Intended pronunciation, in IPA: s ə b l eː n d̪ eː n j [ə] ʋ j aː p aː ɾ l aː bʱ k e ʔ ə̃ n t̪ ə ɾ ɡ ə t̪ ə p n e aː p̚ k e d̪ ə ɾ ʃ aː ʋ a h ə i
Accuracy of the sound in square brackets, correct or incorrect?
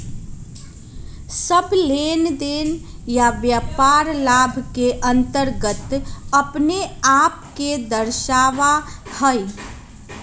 incorrect